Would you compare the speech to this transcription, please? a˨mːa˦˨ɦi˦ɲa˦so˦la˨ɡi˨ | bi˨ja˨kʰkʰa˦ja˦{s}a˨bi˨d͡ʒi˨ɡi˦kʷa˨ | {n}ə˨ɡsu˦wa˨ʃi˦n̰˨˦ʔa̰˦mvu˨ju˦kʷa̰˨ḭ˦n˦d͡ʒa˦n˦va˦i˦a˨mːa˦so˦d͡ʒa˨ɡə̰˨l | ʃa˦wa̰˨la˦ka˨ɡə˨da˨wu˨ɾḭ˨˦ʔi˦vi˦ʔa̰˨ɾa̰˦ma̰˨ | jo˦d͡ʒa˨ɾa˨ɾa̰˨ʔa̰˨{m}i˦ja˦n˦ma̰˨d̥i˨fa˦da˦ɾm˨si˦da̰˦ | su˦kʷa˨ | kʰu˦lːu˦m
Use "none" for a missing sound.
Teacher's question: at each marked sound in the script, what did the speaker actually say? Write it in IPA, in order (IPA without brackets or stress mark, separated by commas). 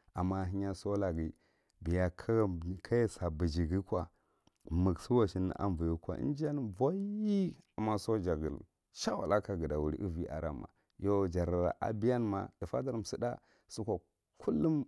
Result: s, m, b